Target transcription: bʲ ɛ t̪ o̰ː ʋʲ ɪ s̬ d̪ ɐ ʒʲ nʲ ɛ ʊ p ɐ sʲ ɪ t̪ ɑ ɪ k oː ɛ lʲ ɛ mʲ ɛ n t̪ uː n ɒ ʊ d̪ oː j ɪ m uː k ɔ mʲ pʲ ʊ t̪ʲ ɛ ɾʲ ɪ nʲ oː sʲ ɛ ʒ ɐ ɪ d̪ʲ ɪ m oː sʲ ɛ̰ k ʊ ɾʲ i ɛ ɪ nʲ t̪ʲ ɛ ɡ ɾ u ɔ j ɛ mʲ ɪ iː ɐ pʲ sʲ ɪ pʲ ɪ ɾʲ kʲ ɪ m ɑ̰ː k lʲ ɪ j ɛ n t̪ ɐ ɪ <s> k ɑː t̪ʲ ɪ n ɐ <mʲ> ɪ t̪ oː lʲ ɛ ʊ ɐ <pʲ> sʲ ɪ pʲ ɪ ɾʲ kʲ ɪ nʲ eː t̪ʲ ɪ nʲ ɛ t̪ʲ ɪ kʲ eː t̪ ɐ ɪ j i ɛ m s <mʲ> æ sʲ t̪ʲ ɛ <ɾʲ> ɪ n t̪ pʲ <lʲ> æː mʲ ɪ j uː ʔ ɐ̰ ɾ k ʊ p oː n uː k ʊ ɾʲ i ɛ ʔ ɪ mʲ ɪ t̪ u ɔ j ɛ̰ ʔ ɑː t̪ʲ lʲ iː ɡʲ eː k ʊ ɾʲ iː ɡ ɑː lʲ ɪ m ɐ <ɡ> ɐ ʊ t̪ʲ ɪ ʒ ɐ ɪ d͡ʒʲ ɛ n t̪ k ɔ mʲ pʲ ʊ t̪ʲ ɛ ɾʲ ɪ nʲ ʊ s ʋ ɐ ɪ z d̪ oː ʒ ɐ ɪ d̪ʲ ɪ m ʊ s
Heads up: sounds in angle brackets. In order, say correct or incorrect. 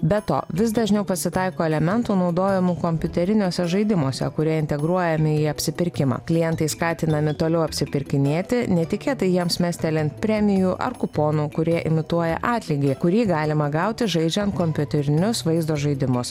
correct, correct, correct, correct, incorrect: lʲ, incorrect: ɾʲ, correct

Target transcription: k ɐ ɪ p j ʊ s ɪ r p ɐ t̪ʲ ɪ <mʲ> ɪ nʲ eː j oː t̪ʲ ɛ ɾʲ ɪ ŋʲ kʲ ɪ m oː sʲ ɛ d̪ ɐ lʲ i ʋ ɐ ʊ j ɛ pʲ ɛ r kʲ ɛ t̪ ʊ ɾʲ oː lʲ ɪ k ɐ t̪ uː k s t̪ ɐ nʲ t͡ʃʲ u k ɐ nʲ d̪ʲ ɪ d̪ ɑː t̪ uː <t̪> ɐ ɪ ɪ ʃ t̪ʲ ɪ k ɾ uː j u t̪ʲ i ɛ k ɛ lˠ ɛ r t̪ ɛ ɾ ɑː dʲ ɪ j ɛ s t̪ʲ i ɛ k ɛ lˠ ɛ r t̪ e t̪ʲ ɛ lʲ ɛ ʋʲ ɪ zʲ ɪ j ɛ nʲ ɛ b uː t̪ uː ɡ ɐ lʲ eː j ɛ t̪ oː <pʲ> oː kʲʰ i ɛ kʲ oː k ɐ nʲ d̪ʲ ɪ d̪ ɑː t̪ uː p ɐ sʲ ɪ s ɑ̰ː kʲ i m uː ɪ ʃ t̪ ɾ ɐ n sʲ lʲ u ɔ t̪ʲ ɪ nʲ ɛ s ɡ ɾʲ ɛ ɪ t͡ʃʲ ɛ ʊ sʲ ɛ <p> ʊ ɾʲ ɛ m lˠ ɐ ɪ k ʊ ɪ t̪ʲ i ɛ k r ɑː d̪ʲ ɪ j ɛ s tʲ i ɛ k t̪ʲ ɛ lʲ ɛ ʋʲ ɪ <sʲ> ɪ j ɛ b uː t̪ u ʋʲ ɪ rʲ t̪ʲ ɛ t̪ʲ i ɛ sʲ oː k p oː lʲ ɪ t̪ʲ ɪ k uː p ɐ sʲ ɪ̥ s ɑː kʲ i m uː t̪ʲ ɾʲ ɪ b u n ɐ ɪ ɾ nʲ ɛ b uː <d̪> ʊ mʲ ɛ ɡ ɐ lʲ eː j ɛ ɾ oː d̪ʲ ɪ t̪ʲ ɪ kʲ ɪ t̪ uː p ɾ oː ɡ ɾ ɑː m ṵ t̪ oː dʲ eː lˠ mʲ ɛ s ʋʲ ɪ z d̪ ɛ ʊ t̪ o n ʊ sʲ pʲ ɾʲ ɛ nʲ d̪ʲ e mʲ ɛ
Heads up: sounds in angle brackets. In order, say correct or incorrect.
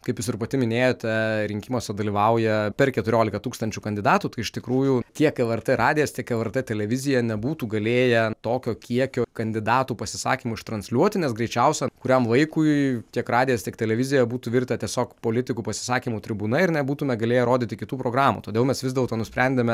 correct, correct, incorrect: kʲ, incorrect: k, incorrect: zʲ, incorrect: t̪

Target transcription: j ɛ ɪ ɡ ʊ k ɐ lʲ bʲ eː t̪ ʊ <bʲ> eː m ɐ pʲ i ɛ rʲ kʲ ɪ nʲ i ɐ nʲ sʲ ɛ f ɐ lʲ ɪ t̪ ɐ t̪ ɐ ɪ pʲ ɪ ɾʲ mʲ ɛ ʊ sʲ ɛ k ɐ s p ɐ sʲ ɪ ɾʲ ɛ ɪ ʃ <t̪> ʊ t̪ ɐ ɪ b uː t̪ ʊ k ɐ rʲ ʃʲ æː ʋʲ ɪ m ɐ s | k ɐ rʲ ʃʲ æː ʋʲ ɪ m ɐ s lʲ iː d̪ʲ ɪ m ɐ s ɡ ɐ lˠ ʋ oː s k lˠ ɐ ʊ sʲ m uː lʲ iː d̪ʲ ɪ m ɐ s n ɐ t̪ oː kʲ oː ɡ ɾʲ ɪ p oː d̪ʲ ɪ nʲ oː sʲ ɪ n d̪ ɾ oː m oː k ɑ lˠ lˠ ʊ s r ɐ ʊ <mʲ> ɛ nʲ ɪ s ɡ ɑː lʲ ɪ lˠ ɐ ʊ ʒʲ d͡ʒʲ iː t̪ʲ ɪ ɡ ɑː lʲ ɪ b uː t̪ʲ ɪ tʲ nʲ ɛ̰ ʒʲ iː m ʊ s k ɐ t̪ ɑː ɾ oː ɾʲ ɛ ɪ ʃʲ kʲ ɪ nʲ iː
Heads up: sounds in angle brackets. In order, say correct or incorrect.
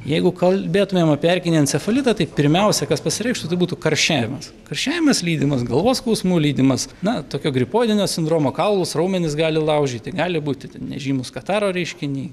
incorrect: mʲ, correct, correct

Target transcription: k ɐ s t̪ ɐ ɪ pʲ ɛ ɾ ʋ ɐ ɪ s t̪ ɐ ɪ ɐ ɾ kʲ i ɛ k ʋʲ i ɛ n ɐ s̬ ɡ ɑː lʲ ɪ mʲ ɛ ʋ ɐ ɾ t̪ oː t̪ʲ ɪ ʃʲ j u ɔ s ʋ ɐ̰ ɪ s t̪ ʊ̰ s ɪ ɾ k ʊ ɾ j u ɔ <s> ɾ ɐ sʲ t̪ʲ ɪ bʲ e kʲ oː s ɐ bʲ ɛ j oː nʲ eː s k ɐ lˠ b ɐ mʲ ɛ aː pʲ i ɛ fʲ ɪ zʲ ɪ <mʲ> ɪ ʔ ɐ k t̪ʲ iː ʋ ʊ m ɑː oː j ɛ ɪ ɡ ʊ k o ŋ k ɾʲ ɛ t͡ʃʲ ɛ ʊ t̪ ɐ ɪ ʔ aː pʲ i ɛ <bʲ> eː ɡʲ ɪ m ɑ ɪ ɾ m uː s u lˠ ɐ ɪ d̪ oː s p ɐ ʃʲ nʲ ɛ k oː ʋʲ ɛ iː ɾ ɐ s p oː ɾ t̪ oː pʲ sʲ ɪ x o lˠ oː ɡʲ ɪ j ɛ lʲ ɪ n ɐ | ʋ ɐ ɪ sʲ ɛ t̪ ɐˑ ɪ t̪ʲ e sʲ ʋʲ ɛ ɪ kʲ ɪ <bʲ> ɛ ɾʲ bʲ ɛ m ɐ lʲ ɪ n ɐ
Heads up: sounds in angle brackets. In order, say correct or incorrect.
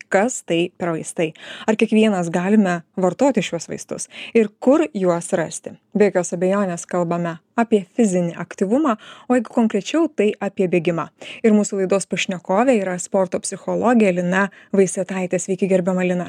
correct, incorrect: nʲ, correct, incorrect: ɡʲ

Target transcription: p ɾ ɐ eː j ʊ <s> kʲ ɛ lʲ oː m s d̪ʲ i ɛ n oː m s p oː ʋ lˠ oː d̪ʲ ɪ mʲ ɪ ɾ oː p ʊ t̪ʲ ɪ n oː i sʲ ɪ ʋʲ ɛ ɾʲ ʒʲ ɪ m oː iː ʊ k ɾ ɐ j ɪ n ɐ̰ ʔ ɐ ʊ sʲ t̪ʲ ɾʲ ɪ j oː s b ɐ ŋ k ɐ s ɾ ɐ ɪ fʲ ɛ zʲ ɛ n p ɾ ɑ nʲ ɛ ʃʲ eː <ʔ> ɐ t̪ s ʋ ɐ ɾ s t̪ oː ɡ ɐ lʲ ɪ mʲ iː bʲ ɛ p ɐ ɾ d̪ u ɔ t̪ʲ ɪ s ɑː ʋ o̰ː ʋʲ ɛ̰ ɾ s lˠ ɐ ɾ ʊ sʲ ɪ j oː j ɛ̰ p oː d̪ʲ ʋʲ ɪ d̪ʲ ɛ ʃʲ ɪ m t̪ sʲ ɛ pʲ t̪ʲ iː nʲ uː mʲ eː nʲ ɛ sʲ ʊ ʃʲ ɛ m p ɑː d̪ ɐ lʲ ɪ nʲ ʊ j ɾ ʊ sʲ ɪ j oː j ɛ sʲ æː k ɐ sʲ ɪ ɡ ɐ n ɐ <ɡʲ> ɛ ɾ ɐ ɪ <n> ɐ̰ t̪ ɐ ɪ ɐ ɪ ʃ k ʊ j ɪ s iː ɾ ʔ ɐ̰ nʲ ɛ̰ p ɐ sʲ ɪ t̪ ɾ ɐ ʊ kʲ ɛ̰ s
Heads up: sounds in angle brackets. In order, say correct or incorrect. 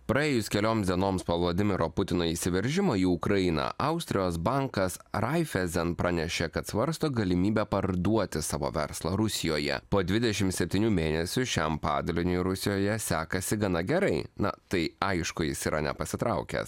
correct, incorrect: k, correct, correct

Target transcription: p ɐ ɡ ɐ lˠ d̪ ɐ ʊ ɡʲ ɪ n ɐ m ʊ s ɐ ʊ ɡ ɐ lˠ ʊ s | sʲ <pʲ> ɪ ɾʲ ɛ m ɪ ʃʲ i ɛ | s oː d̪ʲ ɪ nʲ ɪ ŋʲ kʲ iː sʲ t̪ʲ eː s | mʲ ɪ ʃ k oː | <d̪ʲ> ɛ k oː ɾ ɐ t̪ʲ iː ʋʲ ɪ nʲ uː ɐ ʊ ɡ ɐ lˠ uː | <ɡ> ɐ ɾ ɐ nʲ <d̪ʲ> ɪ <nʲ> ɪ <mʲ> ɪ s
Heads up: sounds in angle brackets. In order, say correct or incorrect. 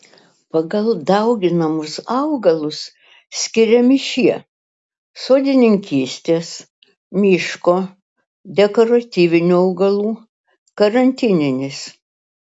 incorrect: kʲ, correct, incorrect: k, incorrect: t̪ʲ, correct, incorrect: nʲ

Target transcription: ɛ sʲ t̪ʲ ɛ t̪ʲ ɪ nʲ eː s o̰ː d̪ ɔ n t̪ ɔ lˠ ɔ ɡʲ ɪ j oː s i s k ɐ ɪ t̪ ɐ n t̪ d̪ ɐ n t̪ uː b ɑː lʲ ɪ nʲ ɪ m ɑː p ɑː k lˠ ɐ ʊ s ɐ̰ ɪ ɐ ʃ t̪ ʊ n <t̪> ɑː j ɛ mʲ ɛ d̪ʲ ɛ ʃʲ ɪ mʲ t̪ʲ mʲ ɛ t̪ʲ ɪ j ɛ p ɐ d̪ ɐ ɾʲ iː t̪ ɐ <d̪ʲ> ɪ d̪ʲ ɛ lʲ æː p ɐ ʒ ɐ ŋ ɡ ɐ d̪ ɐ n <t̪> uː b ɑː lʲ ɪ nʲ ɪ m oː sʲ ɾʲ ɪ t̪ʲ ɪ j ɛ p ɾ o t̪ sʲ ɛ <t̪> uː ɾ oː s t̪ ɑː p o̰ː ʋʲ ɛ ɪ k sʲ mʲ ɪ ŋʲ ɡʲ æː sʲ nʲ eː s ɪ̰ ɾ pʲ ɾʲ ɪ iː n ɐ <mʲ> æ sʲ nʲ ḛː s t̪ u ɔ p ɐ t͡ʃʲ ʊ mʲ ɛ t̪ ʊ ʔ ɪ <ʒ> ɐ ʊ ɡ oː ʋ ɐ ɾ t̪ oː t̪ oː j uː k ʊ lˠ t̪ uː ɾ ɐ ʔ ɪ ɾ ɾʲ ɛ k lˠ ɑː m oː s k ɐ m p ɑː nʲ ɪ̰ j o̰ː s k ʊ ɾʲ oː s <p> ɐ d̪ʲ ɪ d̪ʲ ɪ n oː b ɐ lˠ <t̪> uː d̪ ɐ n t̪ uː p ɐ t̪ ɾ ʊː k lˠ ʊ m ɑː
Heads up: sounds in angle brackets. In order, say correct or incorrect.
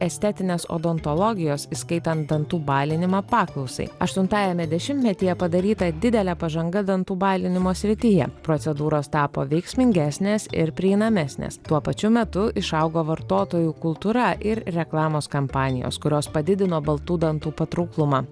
correct, correct, correct, incorrect: d̪, correct, incorrect: ʃ, correct, correct

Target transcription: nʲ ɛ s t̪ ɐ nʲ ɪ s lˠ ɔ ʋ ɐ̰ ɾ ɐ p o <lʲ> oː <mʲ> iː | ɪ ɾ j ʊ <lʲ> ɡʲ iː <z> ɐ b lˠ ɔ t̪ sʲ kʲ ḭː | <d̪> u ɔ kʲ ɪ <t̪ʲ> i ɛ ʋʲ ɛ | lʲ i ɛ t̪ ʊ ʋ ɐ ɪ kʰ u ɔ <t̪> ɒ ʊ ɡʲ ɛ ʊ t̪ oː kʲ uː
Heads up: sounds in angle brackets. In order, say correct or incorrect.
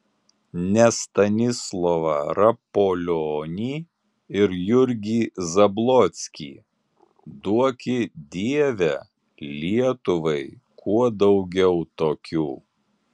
correct, incorrect: nʲ, incorrect: ɾʲ, correct, correct, incorrect: d̪ʲ, incorrect: d̪

